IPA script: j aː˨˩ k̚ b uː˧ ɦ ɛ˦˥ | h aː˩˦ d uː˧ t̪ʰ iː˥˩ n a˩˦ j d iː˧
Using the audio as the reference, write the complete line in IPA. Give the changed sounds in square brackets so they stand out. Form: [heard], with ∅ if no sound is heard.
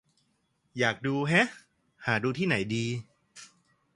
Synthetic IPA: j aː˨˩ k̚ [d] uː˧ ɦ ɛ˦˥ | h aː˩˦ d uː˧ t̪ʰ iː˥˩ n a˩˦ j d iː˧